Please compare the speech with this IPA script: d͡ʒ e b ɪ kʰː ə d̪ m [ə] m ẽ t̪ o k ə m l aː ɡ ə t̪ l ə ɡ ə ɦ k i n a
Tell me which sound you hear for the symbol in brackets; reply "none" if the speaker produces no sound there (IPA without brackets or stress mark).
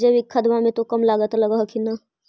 a